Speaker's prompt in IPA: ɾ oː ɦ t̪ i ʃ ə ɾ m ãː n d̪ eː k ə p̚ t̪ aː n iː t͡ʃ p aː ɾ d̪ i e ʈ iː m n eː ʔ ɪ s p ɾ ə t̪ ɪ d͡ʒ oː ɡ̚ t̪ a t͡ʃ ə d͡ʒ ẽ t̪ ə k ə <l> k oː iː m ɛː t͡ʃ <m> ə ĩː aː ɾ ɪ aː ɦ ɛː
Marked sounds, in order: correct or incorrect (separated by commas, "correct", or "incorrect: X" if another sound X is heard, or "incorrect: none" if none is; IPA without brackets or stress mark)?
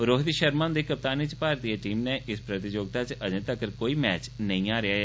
incorrect: ɾ, incorrect: n